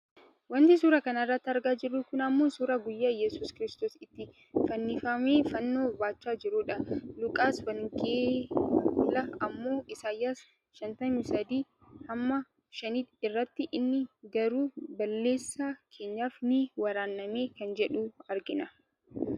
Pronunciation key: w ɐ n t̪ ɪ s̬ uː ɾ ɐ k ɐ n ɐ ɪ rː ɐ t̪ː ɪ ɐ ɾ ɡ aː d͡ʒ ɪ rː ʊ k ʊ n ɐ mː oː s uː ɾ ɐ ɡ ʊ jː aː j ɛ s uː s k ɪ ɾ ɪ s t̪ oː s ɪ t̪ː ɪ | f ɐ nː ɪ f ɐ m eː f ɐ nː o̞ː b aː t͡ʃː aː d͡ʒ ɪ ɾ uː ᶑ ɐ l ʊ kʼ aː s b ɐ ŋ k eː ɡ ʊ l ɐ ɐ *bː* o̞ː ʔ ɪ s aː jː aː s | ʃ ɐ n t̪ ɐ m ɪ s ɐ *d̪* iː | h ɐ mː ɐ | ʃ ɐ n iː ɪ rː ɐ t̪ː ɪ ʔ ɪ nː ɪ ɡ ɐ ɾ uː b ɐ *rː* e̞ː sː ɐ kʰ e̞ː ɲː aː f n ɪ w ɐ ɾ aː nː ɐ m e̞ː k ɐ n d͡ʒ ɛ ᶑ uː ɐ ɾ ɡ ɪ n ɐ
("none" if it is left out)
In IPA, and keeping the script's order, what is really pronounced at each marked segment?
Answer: mː, d̪, lː

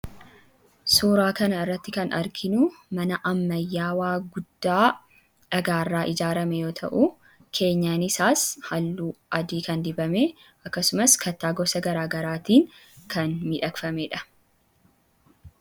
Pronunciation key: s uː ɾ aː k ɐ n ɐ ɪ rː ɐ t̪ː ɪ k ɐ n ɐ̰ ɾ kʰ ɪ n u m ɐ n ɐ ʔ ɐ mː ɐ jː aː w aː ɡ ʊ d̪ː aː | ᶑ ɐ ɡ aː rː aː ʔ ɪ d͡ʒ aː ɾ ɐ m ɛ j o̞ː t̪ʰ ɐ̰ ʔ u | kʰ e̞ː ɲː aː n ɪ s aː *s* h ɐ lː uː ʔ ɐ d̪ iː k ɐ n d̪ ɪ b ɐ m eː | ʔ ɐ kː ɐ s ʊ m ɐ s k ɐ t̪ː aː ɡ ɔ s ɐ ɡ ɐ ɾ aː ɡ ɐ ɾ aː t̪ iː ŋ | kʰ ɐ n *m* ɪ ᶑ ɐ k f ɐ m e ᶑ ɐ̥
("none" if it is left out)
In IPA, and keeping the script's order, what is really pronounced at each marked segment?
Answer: s, m

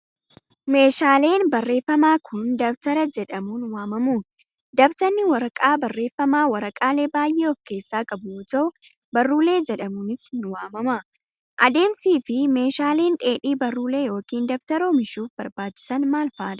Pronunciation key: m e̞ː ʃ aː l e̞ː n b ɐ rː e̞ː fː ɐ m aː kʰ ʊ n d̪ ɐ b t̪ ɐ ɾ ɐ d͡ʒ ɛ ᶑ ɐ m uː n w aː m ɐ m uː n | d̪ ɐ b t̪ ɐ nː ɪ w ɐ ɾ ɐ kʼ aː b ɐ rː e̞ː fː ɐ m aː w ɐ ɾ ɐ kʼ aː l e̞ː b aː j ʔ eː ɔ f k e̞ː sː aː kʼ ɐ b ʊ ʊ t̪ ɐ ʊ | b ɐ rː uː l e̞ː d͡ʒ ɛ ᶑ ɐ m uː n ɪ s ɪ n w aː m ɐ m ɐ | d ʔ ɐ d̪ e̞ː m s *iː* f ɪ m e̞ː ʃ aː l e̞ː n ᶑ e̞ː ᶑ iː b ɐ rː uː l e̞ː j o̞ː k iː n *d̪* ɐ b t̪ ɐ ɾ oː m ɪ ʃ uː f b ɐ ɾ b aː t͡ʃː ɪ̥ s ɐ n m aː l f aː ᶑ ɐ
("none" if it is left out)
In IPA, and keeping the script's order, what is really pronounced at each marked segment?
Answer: iː, d̪

